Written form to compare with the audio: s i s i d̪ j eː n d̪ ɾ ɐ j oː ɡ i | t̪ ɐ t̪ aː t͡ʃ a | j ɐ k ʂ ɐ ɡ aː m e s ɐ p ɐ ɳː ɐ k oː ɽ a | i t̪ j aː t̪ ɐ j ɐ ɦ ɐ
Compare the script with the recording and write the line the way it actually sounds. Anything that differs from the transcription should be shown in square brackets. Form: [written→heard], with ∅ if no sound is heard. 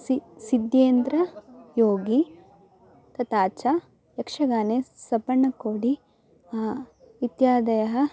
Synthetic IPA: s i s i d̪ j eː n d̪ ɾ ɐ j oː ɡ i | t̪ ɐ t̪ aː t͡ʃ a | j ɐ k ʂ ɐ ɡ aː [m→n] e s ɐ p ɐ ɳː ɐ k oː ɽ [a→i] | i t̪ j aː [t̪→d̪] ɐ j ɐ ɦ ɐ